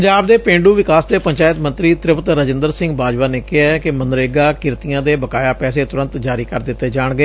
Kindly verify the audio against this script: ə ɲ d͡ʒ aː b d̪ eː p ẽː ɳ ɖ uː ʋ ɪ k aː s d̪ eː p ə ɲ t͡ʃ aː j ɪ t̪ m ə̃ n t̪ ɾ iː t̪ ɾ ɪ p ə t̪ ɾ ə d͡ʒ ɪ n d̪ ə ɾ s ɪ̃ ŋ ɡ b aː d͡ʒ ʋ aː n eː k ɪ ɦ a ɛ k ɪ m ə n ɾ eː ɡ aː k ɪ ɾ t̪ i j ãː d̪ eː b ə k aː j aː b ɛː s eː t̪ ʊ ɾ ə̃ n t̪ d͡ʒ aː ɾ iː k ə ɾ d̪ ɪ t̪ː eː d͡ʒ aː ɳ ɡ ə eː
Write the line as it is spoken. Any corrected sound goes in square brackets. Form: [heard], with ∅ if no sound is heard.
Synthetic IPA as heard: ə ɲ d͡ʒ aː b d̪ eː p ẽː ɳ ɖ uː ʋ ɪ k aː s d̪ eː p ə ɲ t͡ʃ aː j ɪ t̪ m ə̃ n t̪ ɾ iː t̪ ɾ ɪ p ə t̪ ɾ ə d͡ʒ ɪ n d̪ ə ɾ s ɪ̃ ŋ ɡ b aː d͡ʒ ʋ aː n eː k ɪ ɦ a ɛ k ɪ m ə n ɾ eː ɡ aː k ɪ ɾ t̪ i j ãː d̪ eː b ə k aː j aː [p] ɛː s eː t̪ ʊ ɾ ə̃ n t̪ d͡ʒ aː ɾ iː k ə ɾ d̪ ɪ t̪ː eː d͡ʒ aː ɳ ɡ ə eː